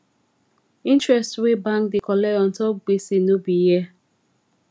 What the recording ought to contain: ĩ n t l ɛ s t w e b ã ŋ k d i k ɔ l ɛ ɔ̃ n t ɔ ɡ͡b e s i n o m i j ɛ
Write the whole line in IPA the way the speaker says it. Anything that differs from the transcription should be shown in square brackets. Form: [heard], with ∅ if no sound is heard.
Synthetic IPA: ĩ n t [ɹ] ɛ s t w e b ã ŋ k d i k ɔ l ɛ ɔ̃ n t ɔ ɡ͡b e s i n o [b] i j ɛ